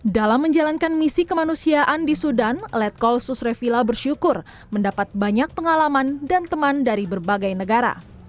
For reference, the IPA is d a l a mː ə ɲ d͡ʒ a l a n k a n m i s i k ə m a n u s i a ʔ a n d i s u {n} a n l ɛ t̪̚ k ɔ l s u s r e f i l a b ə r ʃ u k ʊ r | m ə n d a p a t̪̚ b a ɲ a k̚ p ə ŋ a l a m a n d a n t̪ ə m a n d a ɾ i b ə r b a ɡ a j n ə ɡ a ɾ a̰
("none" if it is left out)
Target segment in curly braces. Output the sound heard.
d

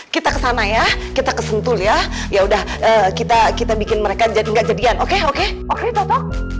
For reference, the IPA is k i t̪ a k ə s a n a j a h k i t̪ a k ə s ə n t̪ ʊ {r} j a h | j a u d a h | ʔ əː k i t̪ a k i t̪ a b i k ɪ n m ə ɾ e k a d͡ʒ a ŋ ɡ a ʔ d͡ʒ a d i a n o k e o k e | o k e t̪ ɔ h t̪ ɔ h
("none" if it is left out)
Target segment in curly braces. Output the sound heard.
l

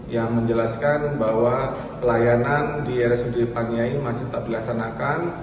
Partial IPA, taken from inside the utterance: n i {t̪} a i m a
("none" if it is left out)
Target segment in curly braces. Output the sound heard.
none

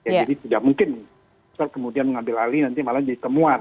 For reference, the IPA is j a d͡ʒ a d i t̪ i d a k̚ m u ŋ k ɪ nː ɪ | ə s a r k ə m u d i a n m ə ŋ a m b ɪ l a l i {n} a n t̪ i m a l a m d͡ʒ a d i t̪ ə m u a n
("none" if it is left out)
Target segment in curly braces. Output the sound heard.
n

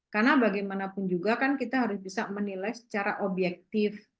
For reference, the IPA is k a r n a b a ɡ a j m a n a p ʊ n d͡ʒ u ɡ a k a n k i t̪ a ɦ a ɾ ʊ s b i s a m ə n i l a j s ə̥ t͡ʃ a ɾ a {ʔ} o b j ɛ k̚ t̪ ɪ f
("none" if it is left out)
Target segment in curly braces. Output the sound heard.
ʔ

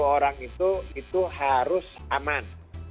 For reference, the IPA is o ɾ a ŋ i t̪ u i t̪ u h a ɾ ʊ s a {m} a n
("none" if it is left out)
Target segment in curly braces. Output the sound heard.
m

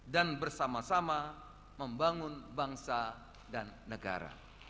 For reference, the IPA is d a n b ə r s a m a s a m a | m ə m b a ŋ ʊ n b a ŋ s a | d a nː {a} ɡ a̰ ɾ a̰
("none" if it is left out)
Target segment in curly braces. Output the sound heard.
ə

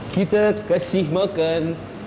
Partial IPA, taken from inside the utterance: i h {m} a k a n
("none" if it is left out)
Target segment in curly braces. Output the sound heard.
m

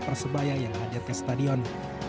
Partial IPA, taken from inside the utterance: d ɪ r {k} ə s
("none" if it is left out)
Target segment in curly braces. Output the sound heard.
k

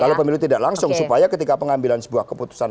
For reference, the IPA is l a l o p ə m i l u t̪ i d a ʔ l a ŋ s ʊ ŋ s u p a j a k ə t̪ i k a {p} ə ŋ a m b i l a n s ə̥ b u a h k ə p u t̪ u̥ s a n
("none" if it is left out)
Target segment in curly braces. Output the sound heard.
p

